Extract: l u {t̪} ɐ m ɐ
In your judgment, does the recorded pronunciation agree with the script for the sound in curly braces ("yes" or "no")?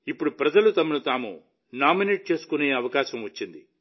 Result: yes